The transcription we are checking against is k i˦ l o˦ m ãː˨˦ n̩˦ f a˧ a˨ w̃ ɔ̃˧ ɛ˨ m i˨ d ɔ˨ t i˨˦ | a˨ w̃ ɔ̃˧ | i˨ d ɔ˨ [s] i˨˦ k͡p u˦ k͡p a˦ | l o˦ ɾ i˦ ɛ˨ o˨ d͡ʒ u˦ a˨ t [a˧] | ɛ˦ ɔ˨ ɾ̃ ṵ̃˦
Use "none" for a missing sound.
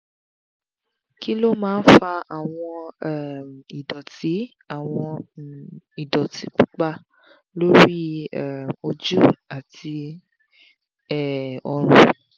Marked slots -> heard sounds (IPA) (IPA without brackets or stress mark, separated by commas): t, i˧